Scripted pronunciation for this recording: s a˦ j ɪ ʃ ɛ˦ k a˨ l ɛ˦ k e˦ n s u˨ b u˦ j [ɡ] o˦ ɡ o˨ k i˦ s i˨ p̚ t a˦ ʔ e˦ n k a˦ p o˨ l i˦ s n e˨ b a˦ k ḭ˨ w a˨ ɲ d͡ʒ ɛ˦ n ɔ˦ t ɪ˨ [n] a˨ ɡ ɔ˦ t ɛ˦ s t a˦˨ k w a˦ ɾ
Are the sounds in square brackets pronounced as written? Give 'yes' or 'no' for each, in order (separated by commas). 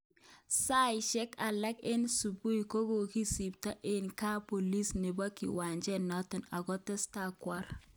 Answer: no, yes